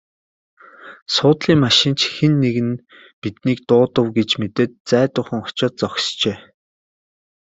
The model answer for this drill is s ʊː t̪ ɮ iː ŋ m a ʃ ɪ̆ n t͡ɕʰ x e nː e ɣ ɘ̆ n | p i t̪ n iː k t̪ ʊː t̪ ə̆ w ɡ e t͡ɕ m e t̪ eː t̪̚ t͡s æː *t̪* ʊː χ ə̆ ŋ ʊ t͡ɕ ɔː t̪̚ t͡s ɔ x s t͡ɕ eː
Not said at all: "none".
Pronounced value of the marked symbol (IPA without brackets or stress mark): t̪